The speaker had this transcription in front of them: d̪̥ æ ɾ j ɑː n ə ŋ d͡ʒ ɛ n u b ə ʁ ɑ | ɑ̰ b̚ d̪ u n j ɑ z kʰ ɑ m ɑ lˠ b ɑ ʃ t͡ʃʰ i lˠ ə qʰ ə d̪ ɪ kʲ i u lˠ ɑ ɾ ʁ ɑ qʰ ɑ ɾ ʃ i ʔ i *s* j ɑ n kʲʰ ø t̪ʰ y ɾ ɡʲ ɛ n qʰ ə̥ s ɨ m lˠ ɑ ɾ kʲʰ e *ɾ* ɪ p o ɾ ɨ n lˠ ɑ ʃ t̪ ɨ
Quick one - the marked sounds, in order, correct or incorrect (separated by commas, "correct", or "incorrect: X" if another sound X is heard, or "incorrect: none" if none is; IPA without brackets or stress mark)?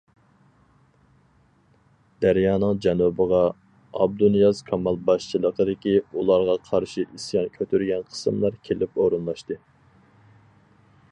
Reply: correct, incorrect: l